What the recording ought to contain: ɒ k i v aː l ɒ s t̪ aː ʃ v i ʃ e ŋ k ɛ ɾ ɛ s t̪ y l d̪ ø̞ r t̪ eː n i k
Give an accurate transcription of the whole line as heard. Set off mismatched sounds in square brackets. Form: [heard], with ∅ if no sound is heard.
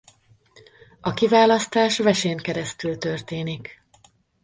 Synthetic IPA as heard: ɒ k i v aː l ɒ s t̪ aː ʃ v [ɛ] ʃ e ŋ k ɛ ɾ ɛ s t̪ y l [t̪] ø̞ r t̪ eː n i k